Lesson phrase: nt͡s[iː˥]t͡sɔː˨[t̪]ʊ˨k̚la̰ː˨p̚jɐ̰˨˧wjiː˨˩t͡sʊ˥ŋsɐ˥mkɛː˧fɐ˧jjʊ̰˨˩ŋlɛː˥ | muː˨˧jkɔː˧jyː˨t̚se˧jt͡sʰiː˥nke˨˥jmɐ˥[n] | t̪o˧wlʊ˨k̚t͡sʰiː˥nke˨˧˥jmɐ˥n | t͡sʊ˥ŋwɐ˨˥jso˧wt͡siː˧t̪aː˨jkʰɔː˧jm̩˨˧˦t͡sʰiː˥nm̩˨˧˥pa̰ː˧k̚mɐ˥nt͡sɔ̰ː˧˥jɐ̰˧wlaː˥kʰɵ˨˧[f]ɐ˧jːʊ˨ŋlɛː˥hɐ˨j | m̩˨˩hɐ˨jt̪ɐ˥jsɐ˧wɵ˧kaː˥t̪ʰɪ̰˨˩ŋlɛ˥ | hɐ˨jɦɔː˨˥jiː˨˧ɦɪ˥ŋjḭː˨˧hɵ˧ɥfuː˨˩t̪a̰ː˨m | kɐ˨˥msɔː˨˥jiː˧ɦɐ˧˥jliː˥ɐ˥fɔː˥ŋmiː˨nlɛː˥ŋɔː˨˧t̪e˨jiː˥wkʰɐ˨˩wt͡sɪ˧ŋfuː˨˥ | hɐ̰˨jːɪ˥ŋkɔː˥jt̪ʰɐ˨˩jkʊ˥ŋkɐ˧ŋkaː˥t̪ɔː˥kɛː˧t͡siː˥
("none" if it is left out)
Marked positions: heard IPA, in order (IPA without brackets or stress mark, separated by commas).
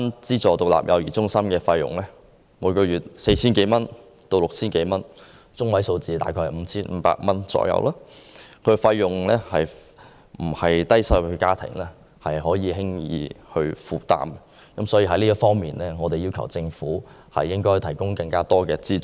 iː˥, t̪, n, f